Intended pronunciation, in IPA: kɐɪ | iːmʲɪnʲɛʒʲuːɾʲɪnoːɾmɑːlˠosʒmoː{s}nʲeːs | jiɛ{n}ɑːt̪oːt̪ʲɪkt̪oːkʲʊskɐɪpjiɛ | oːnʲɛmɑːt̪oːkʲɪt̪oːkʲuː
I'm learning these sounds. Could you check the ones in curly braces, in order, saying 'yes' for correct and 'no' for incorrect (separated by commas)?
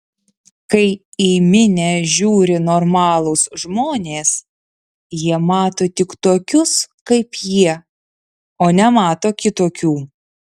no, no